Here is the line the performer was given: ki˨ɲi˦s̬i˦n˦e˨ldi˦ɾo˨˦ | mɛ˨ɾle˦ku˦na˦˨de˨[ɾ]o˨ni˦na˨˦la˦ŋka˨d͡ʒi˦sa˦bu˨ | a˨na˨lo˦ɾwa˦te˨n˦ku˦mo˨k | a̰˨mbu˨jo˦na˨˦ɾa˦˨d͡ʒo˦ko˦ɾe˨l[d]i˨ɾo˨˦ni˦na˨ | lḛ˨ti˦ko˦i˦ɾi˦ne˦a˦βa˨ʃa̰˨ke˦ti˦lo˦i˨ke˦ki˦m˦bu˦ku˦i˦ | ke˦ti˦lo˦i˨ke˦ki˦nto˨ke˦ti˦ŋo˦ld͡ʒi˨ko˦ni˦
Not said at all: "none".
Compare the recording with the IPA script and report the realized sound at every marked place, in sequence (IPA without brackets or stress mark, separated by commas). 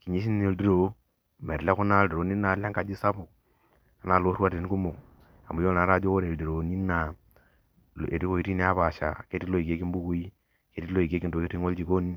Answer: ɾ, d